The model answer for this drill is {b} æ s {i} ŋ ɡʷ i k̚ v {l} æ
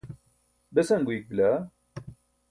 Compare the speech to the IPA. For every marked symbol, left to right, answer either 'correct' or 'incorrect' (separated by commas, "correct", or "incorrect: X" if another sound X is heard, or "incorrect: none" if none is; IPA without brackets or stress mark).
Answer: correct, incorrect: æ, correct